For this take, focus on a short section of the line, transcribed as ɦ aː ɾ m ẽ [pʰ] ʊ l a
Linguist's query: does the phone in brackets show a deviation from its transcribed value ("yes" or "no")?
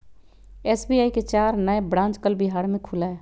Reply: yes